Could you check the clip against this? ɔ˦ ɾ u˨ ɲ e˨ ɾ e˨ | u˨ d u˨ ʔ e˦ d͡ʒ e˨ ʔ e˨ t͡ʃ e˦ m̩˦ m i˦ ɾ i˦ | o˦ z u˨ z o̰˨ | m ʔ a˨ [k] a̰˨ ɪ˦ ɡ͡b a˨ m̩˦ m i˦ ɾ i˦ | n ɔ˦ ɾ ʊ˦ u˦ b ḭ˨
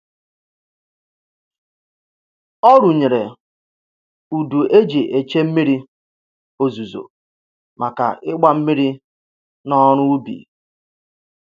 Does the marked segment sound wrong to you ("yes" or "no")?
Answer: no